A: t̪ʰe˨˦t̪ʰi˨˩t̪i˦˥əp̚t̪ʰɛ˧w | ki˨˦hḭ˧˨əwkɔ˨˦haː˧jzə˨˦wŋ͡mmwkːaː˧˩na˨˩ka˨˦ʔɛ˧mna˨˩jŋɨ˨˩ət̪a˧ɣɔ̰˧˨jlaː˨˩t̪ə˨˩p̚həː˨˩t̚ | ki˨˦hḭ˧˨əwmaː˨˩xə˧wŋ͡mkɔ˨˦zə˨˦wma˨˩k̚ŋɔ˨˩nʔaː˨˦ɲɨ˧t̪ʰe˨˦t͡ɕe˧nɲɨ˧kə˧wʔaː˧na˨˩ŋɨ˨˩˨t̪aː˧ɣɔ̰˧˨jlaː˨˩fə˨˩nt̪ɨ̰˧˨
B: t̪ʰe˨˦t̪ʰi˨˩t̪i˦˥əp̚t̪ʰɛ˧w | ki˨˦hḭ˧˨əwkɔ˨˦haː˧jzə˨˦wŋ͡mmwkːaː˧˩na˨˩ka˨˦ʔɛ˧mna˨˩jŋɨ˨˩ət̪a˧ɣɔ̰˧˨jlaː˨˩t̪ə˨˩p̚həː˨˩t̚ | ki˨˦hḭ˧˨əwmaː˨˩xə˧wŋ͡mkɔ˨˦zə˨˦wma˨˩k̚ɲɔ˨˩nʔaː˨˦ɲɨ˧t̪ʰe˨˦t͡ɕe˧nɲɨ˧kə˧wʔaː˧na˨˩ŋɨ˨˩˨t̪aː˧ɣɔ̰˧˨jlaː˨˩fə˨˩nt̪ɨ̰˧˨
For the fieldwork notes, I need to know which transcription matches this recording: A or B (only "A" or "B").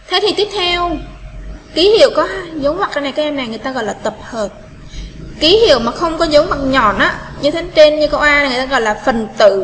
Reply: B